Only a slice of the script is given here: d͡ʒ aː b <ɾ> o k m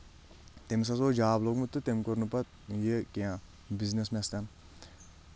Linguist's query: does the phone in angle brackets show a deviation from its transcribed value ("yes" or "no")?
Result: yes